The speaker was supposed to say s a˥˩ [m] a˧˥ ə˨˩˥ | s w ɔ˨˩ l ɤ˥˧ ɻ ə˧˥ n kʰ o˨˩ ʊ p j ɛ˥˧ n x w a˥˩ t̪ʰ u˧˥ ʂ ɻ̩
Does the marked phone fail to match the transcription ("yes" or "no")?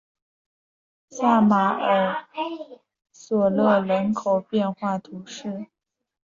no